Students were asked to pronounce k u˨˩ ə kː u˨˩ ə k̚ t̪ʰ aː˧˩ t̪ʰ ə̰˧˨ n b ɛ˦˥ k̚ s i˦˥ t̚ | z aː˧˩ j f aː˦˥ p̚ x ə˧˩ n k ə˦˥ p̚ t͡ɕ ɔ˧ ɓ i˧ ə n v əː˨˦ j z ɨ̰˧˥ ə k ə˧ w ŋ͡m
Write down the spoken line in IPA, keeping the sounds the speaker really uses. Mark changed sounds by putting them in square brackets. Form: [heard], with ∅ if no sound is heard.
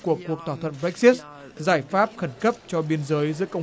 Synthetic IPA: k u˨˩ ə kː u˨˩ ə k̚ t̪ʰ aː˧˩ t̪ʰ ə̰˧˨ n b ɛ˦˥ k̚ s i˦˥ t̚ | z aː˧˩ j f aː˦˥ p̚ x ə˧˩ n k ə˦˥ p̚ t͡ɕ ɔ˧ ɓ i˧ ə n [z] əː˨˦ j z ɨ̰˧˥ ə k ə˧ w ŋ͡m

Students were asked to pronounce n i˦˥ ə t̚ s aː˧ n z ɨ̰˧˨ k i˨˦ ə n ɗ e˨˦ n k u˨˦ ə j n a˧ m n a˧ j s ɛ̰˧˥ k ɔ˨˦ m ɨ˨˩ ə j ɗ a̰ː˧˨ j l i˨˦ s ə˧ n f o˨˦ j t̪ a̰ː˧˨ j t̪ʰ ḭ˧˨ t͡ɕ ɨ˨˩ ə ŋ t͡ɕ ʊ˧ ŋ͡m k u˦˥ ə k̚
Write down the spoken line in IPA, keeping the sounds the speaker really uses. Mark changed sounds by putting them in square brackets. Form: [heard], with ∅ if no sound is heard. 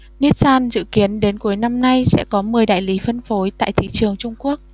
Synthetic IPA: n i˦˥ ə t̚ s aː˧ n z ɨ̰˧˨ k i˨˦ ə n ɗ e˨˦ n k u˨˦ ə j n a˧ m n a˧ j s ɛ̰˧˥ k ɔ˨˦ m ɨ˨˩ ə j ɗ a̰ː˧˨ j l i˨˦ [f] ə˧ n f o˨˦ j t̪ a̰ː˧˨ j t̪ʰ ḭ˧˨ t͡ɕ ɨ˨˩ ə ŋ t͡ɕ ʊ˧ ŋ͡m k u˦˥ ə k̚

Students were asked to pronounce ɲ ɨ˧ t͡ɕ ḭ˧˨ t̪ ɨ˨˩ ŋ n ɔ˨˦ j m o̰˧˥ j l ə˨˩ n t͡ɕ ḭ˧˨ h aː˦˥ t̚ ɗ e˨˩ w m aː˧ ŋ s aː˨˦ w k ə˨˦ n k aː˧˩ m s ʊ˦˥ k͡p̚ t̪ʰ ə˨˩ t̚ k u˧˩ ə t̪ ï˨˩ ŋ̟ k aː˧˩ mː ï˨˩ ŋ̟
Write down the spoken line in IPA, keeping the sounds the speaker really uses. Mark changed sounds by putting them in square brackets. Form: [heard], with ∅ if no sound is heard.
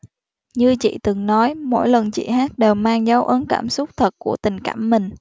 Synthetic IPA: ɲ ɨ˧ t͡ɕ ḭ˧˨ t̪ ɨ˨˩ ŋ n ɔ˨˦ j m o̰˧˥ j l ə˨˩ n t͡ɕ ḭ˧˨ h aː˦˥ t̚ ɗ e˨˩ w m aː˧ ŋ [z] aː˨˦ w [ʔ] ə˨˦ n k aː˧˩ m s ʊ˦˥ k͡p̚ t̪ʰ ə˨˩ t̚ k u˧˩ ə t̪ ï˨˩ ŋ̟ k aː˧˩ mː ï˨˩ ŋ̟

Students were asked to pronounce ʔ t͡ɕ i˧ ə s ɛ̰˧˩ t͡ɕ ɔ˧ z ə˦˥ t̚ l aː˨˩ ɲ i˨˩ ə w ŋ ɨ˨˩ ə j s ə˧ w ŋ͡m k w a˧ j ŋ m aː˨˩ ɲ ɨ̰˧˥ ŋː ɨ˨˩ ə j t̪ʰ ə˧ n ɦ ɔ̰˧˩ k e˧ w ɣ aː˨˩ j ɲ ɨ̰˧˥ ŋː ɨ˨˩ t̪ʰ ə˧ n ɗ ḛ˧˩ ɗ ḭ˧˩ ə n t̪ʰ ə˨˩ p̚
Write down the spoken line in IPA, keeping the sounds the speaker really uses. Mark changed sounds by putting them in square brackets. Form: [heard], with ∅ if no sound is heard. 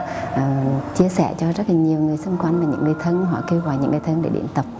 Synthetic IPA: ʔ t͡ɕ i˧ ə s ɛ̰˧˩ t͡ɕ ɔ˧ z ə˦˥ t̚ l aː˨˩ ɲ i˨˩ ə w ŋ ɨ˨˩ ə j s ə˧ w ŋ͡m k w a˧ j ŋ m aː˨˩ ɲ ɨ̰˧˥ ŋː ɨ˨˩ ə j t̪ʰ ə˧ n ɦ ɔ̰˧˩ k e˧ w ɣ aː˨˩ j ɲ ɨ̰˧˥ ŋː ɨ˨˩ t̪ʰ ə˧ n ɗ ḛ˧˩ ɗ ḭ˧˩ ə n [t̪] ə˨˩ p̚

